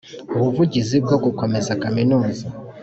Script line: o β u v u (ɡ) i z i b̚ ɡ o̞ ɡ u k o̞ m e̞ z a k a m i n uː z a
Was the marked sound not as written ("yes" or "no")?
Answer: yes